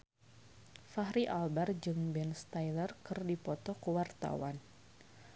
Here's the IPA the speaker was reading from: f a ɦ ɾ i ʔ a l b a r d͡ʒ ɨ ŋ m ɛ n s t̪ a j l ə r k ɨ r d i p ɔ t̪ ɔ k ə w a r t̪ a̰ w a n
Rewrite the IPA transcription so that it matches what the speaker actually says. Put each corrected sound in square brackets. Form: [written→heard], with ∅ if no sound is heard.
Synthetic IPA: f a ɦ ɾ i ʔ a l b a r d͡ʒ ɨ ŋ [m→b] ɛ n s t̪ a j l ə r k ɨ r d i p ɔ t̪ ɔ k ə w a r t̪ a̰ w a n